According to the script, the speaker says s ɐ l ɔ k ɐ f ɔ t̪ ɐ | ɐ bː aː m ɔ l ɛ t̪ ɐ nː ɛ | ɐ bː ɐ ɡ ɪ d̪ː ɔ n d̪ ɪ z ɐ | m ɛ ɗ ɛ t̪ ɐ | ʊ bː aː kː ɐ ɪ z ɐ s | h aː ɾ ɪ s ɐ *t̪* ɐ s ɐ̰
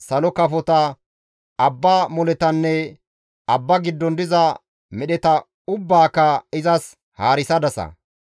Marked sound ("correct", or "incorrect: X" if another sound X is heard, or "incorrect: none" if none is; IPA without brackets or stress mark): incorrect: d̪